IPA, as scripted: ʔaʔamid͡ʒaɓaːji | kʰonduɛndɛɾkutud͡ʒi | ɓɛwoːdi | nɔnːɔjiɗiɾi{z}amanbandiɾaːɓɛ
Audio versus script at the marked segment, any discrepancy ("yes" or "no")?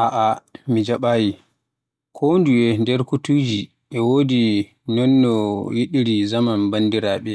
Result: no